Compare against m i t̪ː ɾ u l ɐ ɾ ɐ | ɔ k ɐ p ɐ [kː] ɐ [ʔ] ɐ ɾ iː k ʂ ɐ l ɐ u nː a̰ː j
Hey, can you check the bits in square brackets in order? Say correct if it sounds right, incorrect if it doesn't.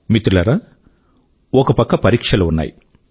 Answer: correct, incorrect

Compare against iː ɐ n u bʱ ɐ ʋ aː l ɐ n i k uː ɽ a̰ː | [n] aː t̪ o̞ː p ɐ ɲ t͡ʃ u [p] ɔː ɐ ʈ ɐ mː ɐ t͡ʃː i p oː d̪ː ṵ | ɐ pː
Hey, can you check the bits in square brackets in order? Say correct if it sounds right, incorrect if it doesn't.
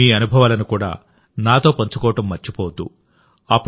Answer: correct, incorrect

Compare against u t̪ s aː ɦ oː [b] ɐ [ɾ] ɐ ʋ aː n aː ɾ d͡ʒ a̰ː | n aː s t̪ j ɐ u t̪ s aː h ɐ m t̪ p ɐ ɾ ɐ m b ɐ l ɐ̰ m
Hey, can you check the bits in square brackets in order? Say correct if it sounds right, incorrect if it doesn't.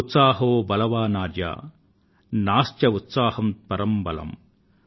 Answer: correct, incorrect

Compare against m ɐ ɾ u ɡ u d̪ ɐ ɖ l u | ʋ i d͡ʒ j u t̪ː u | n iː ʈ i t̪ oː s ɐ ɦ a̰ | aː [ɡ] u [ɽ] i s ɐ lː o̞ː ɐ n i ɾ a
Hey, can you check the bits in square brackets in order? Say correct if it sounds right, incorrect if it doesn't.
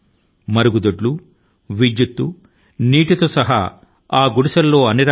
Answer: correct, correct

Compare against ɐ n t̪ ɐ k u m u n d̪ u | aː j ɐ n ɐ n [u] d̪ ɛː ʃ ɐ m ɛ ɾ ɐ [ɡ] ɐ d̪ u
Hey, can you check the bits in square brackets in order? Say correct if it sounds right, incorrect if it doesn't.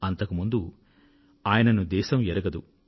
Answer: correct, correct

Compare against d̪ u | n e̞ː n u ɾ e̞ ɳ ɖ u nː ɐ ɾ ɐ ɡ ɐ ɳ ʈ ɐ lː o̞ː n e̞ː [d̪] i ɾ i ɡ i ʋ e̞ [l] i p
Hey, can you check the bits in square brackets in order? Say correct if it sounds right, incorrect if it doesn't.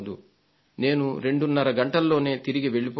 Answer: incorrect, incorrect

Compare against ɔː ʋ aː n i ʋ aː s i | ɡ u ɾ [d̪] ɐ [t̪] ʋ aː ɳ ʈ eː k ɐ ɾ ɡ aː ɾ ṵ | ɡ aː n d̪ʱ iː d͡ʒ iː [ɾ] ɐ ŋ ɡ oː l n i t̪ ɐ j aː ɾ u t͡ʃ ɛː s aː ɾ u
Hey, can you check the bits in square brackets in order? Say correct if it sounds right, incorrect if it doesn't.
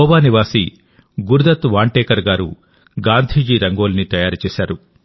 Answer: correct, correct, correct

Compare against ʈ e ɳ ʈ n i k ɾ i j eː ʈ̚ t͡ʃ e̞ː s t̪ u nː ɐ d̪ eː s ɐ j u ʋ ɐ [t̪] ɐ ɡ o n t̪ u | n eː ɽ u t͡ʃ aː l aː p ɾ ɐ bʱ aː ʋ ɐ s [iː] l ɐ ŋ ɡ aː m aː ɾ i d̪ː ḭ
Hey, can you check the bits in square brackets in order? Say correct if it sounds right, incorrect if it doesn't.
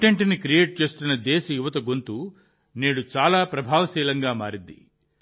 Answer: correct, correct

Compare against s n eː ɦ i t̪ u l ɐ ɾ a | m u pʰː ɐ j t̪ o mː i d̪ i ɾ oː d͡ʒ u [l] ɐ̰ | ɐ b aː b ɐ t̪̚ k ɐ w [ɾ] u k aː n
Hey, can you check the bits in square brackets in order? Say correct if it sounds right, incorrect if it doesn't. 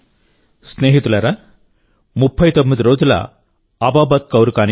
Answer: correct, correct

